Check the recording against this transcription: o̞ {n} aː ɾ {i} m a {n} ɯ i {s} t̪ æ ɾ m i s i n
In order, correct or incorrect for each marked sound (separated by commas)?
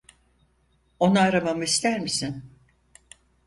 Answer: correct, incorrect, incorrect, correct